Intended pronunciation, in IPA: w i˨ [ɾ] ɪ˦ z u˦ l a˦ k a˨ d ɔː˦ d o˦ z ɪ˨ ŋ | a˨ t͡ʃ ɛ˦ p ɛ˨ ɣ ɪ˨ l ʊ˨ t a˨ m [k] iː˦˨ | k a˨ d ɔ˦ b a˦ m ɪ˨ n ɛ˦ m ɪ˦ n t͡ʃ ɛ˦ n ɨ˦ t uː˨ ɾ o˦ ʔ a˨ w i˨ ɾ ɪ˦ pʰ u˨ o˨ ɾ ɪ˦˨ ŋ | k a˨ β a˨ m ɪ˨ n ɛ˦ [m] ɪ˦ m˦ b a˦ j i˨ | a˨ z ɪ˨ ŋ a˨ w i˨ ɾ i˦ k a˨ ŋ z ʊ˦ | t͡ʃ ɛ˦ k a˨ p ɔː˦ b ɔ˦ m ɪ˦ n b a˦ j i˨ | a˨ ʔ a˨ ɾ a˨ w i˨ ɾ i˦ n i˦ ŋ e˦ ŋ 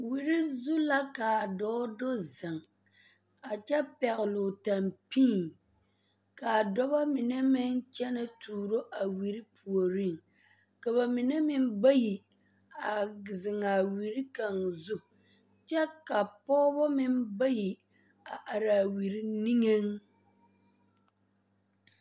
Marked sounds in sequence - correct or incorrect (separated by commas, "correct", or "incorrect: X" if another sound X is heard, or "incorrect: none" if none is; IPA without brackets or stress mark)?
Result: correct, incorrect: p, correct